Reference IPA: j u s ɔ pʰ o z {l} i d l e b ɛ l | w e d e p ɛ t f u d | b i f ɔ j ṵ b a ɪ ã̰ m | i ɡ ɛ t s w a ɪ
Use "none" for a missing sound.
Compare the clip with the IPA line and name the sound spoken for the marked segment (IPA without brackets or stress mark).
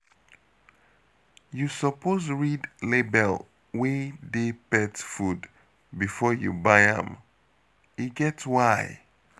ɹ